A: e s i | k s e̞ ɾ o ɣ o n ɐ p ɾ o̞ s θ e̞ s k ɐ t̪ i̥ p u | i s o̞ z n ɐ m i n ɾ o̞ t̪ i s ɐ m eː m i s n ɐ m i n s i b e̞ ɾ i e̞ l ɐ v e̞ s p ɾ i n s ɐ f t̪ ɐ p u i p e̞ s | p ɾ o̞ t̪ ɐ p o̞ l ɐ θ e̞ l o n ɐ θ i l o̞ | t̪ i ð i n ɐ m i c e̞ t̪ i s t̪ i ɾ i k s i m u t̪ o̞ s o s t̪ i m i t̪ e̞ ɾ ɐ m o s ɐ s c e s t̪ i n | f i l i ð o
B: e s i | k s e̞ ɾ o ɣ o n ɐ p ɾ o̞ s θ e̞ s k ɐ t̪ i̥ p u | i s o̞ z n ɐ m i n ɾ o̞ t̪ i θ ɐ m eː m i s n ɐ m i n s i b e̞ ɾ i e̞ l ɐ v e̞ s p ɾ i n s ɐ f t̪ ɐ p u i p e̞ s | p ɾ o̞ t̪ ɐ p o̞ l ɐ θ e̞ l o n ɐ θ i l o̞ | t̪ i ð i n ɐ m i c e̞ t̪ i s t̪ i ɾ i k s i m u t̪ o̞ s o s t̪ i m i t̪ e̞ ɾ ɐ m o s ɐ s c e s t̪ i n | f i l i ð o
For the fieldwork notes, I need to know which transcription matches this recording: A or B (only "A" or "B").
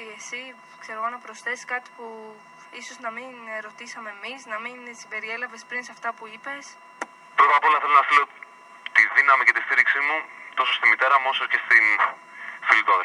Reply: A